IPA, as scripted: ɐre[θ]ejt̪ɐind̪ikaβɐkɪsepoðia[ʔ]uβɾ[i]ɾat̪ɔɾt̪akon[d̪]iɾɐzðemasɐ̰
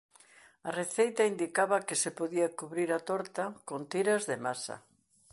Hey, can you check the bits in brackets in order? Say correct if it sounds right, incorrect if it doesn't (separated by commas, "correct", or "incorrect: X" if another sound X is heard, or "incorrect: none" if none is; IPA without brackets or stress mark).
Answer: correct, incorrect: k, correct, incorrect: t̪